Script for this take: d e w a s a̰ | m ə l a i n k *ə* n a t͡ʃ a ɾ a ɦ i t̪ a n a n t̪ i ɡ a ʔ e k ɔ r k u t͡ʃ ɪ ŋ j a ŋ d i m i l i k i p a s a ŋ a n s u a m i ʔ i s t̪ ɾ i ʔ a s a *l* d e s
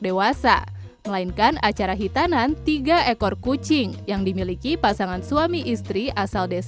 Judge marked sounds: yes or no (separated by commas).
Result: no, yes